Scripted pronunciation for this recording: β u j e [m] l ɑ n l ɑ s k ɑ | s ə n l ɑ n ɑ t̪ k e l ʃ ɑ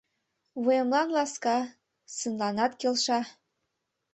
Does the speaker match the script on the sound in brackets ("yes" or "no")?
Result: yes